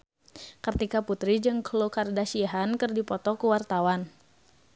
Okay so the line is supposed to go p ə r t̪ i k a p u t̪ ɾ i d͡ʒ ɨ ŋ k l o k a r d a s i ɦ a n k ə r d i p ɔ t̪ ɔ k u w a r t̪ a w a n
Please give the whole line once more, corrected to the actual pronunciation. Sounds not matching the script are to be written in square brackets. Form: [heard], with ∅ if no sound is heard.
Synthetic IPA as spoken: [k] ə r t̪ i k a p u t̪ ɾ i d͡ʒ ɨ ŋ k l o k a r d a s i ɦ a n k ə r d i p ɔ t̪ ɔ k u w a r t̪ a w a n